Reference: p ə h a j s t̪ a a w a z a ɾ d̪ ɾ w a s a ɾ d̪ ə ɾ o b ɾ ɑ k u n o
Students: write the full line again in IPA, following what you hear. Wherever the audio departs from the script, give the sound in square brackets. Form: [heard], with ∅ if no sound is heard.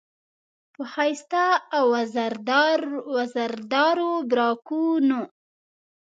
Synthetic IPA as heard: p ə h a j s t̪ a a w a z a ɾ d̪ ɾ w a [z] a ɾ d̪ [ɑ] ɾ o b ɾ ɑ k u n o